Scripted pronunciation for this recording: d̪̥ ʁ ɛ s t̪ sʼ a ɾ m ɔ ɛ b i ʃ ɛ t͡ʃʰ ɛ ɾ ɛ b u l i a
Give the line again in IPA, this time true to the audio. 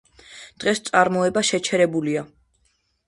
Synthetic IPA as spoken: d̪̥ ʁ ɛ s t̪ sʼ a ɾ m ɔ ɛ b a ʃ ɛ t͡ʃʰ ɛ ɾ ɛ b u l i a